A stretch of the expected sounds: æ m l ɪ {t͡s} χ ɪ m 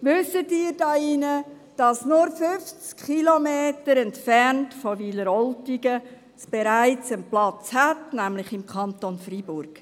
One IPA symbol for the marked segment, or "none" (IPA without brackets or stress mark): none